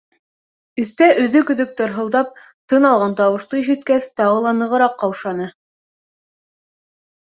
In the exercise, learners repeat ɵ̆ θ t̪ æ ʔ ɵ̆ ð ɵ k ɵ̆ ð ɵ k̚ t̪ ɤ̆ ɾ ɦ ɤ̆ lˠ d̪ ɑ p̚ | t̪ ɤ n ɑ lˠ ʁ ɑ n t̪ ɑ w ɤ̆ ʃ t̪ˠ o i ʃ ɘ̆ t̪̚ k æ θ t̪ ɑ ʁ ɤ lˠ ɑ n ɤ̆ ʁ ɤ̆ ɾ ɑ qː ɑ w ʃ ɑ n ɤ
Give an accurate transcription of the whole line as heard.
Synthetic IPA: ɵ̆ θ t̪ æ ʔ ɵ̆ ð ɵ k ɵ̆ ð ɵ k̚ t̪ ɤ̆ ɾ ɦ ɤ̆ lˠ d̪ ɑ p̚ | t̪ ɤ n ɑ lˠ ʁ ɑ n t̪ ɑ w ɤ̆ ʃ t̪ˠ ɤ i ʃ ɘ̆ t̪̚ k æ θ t̪ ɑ ʁ ɤ lˠ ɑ n ɤ̆ ʁ ɤ̆ ɾ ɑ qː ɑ w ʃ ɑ n ɤ